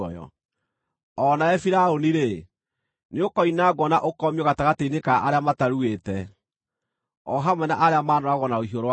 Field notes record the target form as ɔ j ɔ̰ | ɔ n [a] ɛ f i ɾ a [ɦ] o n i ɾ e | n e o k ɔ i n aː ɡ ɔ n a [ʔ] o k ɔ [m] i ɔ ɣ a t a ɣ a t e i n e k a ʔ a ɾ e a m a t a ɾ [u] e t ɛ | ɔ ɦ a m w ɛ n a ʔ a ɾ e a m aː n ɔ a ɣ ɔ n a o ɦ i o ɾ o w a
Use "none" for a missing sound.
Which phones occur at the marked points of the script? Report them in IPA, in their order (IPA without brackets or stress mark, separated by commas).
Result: a, none, ʔ, m, u